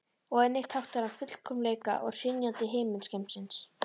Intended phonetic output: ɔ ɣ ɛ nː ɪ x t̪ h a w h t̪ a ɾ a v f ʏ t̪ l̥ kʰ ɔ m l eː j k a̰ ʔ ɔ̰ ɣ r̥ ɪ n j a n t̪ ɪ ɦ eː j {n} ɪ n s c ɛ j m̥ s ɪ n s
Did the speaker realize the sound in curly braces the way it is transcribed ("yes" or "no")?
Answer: no